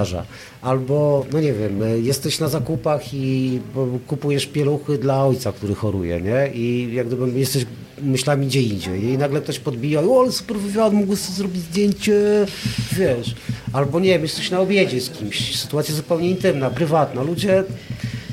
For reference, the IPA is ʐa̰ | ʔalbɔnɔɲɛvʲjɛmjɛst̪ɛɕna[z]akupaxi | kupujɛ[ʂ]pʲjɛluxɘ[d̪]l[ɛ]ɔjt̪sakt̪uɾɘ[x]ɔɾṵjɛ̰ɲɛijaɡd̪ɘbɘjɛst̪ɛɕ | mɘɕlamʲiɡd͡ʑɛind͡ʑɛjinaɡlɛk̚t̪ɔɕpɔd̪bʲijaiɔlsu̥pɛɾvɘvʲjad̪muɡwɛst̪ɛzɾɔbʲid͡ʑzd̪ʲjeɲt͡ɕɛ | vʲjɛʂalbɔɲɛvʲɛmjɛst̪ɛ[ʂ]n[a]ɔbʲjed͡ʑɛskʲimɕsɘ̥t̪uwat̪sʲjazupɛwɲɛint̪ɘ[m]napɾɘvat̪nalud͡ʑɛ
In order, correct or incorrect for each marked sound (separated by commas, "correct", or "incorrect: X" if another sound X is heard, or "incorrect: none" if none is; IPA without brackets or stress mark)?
correct, correct, correct, incorrect: a, correct, incorrect: ɕ, correct, correct